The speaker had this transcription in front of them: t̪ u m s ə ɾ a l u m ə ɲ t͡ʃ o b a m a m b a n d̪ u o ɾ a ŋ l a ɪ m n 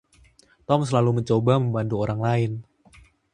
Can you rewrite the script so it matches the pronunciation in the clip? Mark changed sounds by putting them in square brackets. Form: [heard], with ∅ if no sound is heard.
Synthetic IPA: t̪ [ɔ] m s ə [l] a l u m ə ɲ t͡ʃ o b a m [ə] m b a n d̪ u o ɾ a ŋ l a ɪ [∅] n